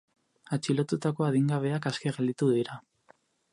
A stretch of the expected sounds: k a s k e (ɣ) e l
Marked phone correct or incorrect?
correct